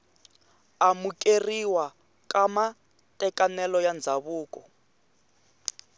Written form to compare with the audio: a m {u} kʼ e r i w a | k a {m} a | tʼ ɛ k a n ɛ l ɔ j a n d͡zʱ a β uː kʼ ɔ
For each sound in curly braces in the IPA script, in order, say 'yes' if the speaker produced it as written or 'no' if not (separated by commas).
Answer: yes, yes